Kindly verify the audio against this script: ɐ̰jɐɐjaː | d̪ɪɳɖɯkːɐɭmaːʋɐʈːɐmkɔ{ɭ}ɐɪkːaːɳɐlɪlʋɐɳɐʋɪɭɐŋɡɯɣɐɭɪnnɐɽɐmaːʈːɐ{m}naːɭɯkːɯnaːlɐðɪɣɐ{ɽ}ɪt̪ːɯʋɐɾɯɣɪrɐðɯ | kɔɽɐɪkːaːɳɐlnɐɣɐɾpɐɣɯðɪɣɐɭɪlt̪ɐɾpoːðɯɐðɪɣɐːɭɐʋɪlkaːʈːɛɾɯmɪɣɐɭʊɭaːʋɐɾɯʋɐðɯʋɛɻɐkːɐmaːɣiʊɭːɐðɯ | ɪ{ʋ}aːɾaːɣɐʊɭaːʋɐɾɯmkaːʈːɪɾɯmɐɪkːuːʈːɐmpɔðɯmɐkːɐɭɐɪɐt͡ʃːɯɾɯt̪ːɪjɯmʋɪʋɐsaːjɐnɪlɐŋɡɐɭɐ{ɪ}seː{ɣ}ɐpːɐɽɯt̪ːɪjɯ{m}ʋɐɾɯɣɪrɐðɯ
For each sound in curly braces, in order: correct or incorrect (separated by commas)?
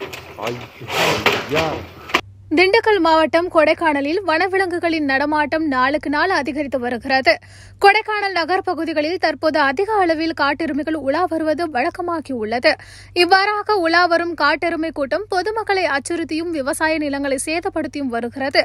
incorrect, correct, incorrect, incorrect, correct, incorrect, correct